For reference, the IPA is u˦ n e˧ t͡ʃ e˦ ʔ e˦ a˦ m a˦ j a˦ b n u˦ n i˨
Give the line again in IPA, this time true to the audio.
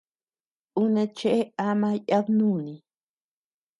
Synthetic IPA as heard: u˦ n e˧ t͡ʃ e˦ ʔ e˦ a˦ m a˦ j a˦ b n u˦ n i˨